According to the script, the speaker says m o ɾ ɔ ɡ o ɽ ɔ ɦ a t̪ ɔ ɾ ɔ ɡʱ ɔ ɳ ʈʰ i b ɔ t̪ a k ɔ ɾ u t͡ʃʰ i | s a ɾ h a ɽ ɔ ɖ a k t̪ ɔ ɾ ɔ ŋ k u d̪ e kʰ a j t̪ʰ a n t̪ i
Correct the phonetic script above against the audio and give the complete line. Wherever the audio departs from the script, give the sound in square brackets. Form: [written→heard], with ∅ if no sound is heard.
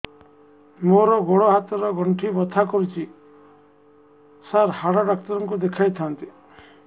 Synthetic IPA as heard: m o ɾ ɔ ɡ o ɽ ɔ ɦ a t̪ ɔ ɾ ɔ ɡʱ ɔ ɳ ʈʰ i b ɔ [t̪→t̪ʰ] a k ɔ ɾ u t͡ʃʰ i | s a ɾ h a ɽ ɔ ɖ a k t̪ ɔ ɾ ɔ ŋ k u d̪ e kʰ a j t̪ʰ a n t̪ i